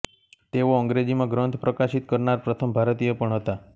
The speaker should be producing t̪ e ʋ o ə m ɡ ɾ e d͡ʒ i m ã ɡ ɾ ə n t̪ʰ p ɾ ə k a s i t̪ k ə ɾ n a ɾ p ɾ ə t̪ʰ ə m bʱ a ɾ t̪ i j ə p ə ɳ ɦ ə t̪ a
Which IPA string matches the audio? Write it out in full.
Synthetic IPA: t̪ e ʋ o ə ŋ ɡ ɾ e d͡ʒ i m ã ɡ ɾ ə n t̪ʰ p ɾ ə k a ʃ i t̪ k ə ɾ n a ɾ p ɾ ə t̪ʰ ə m bʱ a ɾ t̪ i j ə p ə ɳ ɦ ə t̪ a